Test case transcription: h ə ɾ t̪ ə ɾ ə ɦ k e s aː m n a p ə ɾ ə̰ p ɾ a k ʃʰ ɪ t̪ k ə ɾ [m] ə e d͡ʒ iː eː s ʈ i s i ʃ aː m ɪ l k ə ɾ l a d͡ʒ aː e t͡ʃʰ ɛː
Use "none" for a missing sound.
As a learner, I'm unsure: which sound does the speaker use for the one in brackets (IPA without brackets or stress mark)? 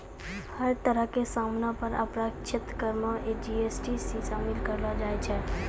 m